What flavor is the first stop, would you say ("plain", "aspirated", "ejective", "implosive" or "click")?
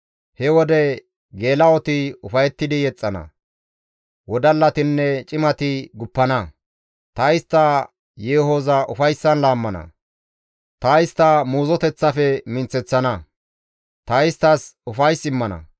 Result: plain